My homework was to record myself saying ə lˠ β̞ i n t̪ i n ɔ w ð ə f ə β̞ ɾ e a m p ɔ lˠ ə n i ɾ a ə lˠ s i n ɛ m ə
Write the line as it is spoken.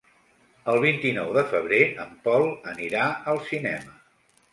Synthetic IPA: ə lˠ β̞ i n t̪ i n ɔ w ð ə f ə β̞ ɾ e ə m p ɔ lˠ ə n i ɾ a ə lˠ s i n ɛ m ə